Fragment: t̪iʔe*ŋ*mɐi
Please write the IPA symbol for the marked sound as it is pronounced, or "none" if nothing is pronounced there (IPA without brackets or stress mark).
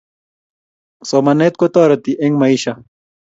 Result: ŋ